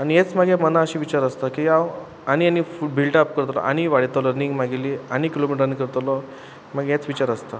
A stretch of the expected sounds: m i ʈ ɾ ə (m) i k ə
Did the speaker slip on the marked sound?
yes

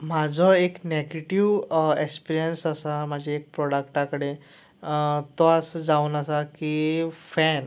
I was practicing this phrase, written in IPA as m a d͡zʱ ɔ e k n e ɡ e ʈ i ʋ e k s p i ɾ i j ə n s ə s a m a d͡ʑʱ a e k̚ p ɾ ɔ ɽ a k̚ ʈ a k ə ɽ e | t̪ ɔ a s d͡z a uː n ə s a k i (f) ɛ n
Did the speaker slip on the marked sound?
no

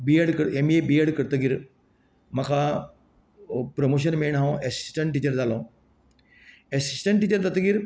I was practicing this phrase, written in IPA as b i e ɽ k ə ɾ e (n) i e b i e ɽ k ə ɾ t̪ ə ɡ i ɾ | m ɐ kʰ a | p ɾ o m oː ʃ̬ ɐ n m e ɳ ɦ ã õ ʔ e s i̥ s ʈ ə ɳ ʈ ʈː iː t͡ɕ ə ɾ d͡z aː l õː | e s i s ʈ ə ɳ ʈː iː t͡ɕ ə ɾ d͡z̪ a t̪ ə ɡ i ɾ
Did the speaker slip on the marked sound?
yes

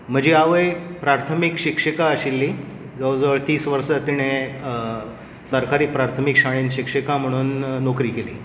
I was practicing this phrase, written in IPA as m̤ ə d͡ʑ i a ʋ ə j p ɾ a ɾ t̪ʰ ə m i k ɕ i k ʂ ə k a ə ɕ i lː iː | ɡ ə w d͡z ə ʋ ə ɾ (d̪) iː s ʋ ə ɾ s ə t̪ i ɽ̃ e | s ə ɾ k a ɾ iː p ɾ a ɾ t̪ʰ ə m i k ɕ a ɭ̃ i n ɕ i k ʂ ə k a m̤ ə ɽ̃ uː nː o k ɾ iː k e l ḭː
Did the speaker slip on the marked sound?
yes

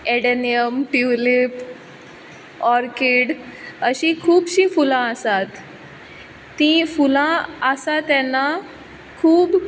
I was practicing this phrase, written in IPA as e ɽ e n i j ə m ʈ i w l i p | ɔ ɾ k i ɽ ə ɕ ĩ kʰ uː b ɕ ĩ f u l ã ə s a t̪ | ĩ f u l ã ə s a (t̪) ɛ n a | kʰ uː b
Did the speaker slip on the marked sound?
no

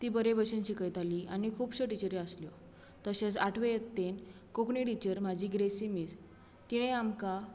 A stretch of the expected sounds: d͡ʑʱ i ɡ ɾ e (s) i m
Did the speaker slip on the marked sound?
no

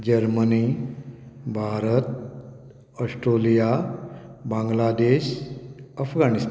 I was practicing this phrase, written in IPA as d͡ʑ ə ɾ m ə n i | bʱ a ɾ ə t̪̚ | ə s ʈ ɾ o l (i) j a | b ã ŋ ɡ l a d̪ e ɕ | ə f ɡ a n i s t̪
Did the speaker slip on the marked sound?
no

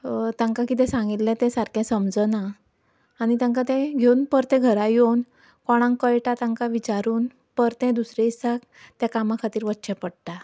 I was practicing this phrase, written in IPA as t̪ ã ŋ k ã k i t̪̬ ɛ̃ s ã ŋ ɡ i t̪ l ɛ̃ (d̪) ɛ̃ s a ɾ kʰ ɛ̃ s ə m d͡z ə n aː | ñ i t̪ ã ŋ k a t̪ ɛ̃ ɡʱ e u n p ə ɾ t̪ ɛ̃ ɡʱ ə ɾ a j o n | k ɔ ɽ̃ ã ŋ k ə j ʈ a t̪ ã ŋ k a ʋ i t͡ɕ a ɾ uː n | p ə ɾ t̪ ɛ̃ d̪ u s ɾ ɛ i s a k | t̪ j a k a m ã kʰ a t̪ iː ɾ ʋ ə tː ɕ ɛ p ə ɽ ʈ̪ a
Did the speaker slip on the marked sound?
yes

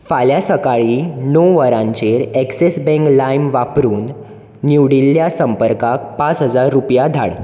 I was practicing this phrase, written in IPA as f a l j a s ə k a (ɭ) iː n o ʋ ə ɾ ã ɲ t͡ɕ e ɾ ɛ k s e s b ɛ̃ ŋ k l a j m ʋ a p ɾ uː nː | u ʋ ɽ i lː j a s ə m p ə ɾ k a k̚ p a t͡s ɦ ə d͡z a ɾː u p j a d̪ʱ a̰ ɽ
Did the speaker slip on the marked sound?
no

